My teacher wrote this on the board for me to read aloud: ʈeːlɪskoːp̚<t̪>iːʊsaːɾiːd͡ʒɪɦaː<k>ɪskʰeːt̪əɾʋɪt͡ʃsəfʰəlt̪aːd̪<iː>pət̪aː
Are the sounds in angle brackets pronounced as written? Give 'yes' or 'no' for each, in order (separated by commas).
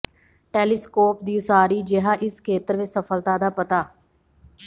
no, no, no